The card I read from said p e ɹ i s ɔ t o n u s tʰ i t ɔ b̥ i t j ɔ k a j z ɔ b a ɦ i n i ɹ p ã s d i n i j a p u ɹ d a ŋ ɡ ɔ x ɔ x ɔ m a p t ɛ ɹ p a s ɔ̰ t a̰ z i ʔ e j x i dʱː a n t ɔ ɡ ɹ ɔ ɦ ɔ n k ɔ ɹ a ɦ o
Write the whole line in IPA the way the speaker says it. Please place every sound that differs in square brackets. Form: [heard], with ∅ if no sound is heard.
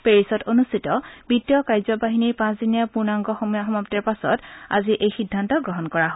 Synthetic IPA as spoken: p e ɹ i s ɔ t o n u s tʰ i t ɔ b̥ i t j ɔ k a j z ɔ b a ɦ i n i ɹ p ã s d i n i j a p u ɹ [n] a ŋ ɡ ɔ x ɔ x ɔ m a p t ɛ ɹ p a s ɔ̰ t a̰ z i ʔ e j x i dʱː a n t ɔ ɡ ɹ ɔ ɦ ɔ n k ɔ ɹ a ɦ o